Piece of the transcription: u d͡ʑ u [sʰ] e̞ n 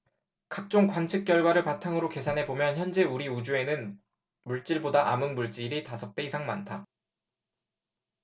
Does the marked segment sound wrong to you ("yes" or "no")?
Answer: yes